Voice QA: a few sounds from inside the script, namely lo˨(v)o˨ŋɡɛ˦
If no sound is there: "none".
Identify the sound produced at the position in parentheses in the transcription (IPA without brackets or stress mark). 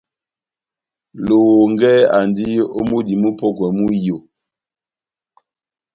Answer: w